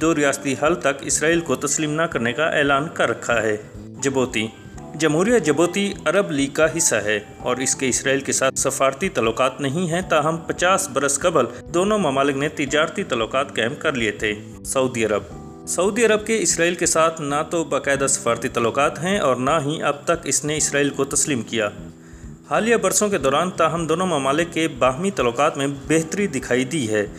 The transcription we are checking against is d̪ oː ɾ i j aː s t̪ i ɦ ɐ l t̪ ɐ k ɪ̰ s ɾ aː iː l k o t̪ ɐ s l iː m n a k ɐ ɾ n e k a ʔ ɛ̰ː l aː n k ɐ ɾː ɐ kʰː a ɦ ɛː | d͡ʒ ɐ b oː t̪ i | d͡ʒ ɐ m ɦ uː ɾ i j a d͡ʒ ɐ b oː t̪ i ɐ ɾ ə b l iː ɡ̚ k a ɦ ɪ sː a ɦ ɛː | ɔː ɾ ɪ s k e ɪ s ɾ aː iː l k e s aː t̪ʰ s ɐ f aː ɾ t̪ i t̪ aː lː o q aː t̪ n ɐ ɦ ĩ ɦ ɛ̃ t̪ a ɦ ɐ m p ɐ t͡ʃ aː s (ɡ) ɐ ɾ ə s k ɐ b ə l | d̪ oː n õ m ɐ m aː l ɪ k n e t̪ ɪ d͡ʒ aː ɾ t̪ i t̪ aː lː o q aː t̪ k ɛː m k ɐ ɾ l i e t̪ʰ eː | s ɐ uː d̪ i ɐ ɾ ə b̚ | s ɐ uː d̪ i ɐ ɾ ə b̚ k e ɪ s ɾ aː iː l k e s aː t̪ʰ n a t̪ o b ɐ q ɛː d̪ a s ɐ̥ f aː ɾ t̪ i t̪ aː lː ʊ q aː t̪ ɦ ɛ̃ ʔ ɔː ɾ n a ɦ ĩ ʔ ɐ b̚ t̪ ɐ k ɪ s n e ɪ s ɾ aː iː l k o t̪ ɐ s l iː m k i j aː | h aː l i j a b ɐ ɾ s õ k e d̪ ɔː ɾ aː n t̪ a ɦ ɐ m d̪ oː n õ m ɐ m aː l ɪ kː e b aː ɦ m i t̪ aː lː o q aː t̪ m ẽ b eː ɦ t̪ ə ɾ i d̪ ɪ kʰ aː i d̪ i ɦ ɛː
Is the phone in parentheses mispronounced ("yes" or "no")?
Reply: yes